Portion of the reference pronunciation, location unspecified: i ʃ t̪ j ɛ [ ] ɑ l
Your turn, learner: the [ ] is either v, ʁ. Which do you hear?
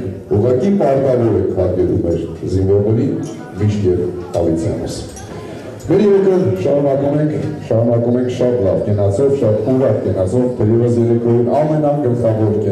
v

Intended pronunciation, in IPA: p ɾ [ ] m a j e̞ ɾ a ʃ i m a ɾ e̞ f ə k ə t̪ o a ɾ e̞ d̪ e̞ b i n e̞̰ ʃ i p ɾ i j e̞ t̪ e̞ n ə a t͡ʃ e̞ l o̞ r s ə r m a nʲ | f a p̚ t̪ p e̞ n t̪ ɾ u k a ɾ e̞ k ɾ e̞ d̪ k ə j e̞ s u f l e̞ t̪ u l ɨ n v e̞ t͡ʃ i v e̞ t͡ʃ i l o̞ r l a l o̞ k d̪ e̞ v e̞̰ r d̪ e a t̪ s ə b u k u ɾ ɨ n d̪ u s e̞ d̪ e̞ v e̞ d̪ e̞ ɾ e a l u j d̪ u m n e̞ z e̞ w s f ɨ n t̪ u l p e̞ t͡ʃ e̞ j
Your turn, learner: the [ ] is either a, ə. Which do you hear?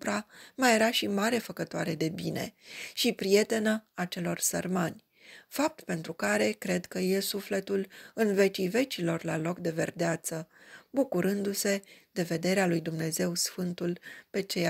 a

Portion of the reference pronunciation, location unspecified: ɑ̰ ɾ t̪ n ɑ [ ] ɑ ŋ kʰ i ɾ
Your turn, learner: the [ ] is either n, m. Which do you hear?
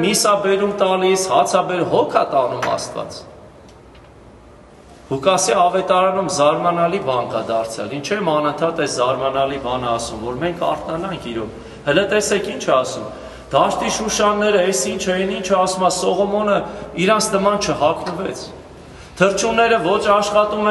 n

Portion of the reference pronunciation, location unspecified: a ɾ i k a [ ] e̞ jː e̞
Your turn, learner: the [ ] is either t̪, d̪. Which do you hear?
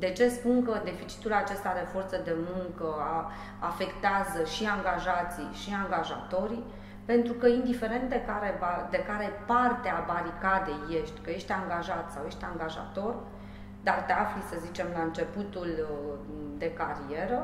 d̪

